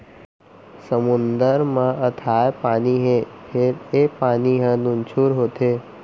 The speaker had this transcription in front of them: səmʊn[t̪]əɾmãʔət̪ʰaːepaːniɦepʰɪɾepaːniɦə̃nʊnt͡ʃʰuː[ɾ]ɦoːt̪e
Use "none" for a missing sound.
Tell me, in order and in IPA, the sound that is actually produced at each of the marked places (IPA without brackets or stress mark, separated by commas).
d̪, ɾ